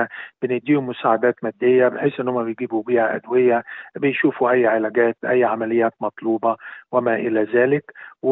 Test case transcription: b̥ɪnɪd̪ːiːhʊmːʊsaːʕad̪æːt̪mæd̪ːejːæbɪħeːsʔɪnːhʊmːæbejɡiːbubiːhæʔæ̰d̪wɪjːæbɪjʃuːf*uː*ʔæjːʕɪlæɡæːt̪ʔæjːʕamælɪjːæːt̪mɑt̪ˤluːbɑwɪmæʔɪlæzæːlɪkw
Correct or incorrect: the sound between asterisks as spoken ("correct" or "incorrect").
incorrect